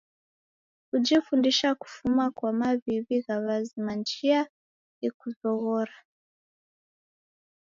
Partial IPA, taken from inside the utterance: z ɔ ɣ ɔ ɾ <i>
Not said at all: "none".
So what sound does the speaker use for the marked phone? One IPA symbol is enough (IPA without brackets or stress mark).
a